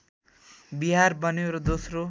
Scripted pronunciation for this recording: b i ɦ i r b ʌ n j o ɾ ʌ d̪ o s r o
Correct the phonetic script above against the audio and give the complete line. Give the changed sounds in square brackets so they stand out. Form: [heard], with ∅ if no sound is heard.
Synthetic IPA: b i ɦ [a] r b ʌ n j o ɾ ʌ d̪ o s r o